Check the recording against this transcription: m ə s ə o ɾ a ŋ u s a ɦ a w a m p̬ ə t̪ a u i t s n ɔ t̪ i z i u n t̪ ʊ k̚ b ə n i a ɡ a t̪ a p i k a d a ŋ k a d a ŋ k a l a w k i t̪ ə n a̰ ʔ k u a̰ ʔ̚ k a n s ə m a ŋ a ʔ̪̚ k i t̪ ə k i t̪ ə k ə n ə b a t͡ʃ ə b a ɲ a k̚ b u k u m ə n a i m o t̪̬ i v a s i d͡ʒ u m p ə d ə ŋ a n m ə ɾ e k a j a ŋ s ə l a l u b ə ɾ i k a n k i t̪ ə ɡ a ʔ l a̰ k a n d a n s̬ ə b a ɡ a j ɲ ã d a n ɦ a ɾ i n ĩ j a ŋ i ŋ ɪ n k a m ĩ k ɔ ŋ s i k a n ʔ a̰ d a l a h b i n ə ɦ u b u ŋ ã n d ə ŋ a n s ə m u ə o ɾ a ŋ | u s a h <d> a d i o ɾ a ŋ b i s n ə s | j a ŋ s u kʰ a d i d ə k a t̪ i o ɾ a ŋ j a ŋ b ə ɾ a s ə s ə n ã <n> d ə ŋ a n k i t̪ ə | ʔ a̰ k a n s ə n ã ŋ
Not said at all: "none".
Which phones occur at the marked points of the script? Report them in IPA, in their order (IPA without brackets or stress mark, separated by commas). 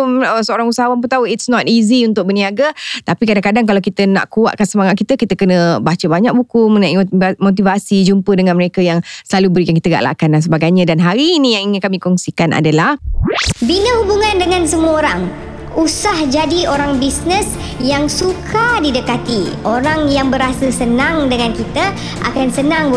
d͡ʒ, ŋ